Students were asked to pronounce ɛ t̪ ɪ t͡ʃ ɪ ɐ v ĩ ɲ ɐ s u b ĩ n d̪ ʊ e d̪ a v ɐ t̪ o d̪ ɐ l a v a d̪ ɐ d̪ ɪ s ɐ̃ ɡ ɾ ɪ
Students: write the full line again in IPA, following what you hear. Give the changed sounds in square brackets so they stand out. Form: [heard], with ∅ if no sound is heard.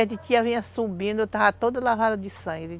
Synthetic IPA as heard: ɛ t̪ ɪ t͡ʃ [i] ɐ v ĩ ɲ ɐ s u b ĩ n d̪ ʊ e [t̪] a v ɐ t̪ o d̪ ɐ l a v a d̪ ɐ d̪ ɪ s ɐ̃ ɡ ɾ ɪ